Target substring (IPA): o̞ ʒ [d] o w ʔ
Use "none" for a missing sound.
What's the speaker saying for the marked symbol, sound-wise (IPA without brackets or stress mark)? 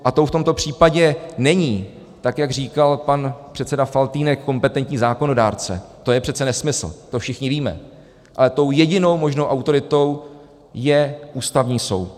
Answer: n